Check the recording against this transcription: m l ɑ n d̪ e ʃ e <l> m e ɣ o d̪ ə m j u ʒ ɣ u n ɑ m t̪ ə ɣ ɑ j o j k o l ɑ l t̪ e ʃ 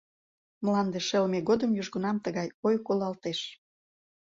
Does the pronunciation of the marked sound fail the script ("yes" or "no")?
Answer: no